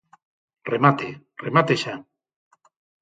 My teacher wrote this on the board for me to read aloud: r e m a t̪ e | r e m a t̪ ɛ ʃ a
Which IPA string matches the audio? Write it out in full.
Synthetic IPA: r e m a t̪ e | r e m a t̪ e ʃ a